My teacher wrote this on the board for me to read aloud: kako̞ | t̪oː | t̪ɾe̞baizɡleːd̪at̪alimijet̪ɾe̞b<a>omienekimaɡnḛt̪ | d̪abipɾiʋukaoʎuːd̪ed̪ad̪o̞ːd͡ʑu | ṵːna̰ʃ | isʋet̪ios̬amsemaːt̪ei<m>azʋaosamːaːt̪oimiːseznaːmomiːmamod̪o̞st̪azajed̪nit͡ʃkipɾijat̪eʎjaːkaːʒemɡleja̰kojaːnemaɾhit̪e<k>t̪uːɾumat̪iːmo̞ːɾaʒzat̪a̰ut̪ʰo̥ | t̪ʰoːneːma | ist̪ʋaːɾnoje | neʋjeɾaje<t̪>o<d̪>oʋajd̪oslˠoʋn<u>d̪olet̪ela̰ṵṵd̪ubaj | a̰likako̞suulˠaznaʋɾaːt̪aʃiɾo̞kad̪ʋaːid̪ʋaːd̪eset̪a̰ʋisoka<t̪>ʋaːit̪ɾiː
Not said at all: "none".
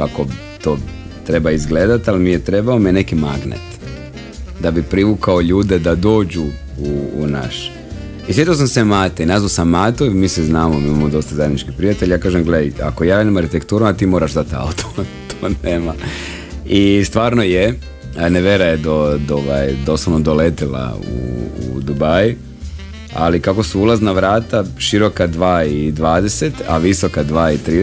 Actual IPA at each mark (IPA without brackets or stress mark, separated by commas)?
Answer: a, n, k, d̪, d̪, o, d̪